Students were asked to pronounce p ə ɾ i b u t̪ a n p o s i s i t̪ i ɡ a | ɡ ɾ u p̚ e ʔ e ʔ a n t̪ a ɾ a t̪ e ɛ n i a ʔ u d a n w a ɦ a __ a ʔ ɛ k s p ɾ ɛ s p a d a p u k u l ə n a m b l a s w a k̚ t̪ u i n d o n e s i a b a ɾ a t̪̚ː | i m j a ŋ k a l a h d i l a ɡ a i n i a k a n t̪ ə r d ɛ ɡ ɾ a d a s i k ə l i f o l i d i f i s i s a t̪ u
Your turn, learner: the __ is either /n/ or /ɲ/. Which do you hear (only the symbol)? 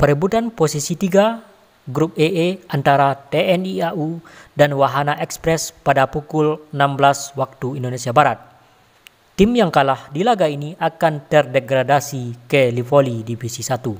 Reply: n